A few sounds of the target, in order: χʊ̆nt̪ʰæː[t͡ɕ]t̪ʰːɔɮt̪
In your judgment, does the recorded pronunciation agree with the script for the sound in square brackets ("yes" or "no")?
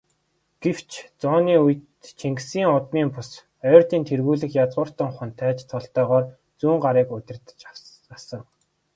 yes